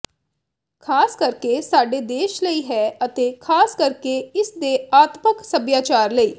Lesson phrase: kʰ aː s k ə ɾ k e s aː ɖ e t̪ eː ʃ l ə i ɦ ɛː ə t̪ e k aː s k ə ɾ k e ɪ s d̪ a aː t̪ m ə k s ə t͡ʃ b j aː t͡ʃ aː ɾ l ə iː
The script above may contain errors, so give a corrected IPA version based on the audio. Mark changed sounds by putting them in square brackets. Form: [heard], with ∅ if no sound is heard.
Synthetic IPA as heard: kʰ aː s k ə ɾ k e s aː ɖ e [d̪] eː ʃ l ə i ɦ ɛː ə t̪ e [kʰ] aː s k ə ɾ k e ɪ s d̪ [e] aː t̪ m ə k s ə [∅] b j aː t͡ʃ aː ɾ l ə iː